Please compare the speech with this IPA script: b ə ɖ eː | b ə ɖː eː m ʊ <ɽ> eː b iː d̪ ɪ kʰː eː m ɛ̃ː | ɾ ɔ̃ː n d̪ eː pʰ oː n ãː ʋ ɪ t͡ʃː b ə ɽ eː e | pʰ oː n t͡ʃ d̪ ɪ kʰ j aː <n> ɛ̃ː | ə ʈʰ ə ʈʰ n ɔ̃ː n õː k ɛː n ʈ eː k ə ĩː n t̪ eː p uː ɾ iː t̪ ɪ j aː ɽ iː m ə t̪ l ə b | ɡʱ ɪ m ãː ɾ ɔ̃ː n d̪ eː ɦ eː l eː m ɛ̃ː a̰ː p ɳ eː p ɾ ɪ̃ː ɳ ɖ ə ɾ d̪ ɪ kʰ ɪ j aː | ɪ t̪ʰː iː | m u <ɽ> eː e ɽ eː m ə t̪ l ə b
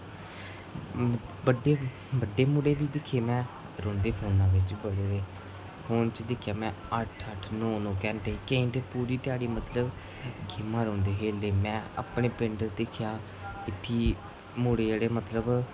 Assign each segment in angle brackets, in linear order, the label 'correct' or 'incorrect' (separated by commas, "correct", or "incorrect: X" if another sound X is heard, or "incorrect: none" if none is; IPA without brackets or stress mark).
correct, incorrect: m, correct